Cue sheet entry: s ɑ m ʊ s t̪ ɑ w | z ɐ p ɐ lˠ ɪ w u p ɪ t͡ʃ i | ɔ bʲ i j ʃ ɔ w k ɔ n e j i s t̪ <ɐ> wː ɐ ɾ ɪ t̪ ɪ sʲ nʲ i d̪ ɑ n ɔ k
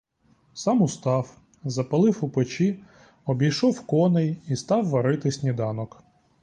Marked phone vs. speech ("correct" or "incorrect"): incorrect